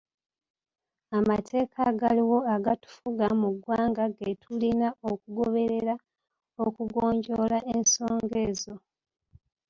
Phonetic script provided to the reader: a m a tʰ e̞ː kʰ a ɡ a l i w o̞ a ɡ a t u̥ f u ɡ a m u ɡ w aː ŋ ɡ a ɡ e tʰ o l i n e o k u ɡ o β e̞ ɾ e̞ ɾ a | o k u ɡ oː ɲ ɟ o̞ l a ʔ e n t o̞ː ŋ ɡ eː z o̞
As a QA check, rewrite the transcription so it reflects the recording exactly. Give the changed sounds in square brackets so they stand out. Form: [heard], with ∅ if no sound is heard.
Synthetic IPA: a m a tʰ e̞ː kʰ a ɡ a l i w o̞ a ɡ a t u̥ f u ɡ a m u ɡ w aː ŋ ɡ a ɡ e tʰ [u] l i n [a] o k u ɡ o β e̞ ɾ e̞ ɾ a | o k u ɡ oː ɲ ɟ o̞ l a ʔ e n [s] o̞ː ŋ ɡ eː z o̞